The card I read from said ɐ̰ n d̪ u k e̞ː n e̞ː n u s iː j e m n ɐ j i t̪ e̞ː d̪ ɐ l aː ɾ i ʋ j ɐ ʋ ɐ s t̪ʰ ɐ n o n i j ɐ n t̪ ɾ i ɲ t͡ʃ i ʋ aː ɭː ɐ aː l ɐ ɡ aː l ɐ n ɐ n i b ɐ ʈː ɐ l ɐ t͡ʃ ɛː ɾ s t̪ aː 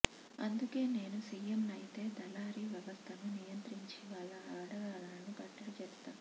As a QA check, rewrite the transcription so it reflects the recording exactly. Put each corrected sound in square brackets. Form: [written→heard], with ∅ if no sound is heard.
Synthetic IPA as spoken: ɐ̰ n d̪ u k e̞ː n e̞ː n u s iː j e m n ɐ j i t̪ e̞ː d̪ ɐ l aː ɾ i ʋ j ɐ ʋ ɐ s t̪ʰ ɐ n [o→u] n i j ɐ n t̪ ɾ i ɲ t͡ʃ i ʋ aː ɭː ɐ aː [l→ɽ] ɐ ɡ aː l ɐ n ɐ n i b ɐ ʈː ɐ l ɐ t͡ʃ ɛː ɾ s t̪ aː

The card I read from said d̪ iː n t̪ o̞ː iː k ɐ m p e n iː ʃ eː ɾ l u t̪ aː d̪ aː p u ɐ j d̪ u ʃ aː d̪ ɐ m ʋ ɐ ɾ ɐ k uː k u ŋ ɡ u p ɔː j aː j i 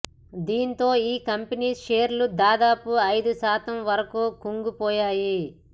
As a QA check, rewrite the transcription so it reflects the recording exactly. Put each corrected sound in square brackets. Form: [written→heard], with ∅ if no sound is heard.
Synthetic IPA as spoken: d̪ iː n t̪ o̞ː iː k ɐ m p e n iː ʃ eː ɾ l u [t̪→d̪] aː d̪ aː p u ɐ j d̪ u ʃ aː [d̪→t̪] ɐ m ʋ ɐ ɾ ɐ k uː k u ŋ ɡ u p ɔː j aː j i

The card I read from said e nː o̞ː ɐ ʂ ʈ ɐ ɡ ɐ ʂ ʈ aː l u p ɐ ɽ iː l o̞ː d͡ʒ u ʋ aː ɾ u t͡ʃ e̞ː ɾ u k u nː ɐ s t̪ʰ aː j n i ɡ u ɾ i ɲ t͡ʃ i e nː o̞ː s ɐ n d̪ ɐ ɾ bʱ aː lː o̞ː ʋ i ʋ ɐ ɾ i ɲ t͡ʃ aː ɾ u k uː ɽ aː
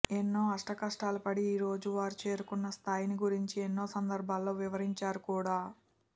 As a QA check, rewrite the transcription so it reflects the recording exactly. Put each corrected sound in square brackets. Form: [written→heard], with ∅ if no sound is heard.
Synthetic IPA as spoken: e nː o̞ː ɐ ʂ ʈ ɐ [ɡ→k] ɐ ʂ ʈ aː l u p ɐ ɽ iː [l→ɾ] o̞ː d͡ʒ u ʋ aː ɾ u t͡ʃ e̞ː ɾ u k u nː ɐ s t̪ʰ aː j n i ɡ u ɾ i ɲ t͡ʃ i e nː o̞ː s ɐ n d̪ ɐ ɾ bʱ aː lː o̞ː ʋ i ʋ ɐ ɾ i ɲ t͡ʃ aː ɾ u k uː ɽ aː

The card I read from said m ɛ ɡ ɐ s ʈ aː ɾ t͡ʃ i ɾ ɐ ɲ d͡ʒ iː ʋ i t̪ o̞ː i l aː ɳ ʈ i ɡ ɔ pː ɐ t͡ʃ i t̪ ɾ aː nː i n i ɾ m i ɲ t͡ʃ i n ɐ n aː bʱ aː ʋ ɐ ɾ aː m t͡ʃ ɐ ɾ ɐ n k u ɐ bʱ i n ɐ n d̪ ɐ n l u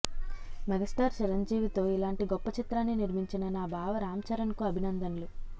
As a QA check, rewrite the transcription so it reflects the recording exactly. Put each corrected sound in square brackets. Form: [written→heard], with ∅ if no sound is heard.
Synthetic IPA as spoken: m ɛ ɡ ɐ s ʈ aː ɾ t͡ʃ i ɾ ɐ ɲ d͡ʒ iː ʋ i t̪ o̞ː i l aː ɳ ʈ i ɡ ɔ pː ɐ t͡ʃ i t̪ ɾ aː nː i n i ɾ m i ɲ t͡ʃ i n ɐ n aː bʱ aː ʋ ɐ ɾ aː m t͡ʃ ɐ ɾ ɐ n k u ɐ bʱ i n ɐ n d̪ ɐ n l u

